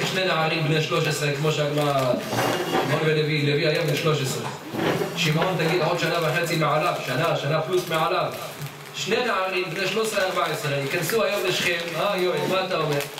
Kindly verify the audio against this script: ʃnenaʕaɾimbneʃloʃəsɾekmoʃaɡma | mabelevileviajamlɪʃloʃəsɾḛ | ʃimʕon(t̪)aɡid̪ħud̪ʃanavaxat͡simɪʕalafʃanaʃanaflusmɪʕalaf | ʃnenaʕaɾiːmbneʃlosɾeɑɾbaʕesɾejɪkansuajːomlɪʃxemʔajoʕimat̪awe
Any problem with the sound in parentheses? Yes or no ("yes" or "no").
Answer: no